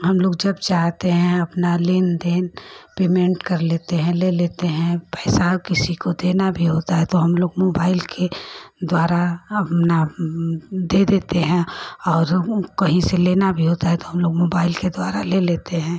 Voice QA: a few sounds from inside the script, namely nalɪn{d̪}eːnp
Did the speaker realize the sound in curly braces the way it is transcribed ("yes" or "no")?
yes